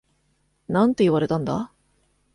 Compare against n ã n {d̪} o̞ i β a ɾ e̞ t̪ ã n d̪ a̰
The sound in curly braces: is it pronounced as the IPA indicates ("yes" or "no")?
no